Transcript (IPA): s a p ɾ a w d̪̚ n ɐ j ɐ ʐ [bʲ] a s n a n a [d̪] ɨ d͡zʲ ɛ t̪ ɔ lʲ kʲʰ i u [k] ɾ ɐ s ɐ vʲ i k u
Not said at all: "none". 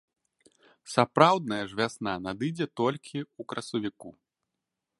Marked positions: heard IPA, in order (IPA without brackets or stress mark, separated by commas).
vʲ, d̪, k